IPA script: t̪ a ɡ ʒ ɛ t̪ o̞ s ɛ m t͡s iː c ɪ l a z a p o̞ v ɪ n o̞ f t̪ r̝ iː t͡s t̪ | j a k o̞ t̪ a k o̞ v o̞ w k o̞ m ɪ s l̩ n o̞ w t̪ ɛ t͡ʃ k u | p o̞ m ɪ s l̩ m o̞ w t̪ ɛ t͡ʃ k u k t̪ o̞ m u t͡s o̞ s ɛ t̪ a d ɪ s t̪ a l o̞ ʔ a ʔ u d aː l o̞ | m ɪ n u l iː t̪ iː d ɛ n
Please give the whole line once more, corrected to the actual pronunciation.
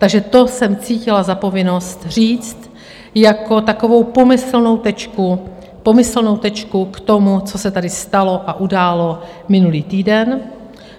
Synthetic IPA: t̪ a ɡ ʒ ɛ t̪ o̞ s ɛ m t͡s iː c ɪ l a z a p o̞ v ɪ n o̞ s t̪ r̝ iː t͡s t̪ | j a k o̞ t̪ a k o̞ v o̞ w p o̞ m ɪ s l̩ n o̞ w t̪ ɛ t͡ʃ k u | p o̞ m ɪ s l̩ n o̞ w t̪ ɛ t͡ʃ k u k t̪ o̞ m u t͡s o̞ s ɛ t̪ a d ɪ s t̪ a l o̞ ʔ a ʔ u d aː l o̞ | m ɪ n u l iː t̪ iː d ɛ n